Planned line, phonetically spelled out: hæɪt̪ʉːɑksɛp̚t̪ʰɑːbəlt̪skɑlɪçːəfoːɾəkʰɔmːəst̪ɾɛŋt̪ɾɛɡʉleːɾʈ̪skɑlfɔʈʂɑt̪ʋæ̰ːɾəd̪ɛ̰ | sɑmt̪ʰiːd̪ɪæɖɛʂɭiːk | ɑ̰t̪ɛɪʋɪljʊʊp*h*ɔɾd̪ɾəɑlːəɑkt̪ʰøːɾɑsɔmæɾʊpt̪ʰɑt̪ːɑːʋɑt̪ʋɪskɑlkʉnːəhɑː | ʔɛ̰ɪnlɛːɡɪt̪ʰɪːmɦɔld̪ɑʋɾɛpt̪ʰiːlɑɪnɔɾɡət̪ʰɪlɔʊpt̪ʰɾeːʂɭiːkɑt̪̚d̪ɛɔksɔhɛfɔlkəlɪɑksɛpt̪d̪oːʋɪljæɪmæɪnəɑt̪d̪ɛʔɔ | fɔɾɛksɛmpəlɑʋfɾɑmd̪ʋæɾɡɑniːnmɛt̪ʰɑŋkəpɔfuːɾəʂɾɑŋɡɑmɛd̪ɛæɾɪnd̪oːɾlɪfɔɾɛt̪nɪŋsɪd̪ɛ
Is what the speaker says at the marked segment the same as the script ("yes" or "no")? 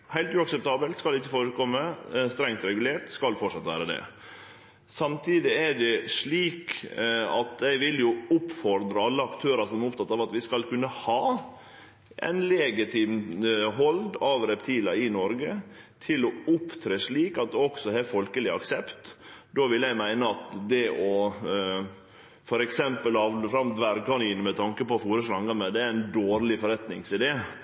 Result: no